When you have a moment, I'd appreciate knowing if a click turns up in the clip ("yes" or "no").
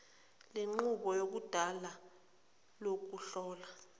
yes